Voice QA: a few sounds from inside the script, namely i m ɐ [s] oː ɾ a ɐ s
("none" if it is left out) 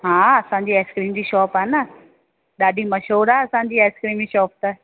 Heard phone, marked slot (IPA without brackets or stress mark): ʃ